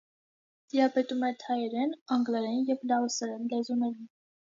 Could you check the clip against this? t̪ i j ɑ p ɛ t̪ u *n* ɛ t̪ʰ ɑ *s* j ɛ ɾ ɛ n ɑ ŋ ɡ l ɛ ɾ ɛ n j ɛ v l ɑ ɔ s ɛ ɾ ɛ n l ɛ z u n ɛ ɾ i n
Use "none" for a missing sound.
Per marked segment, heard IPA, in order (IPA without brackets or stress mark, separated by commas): m, none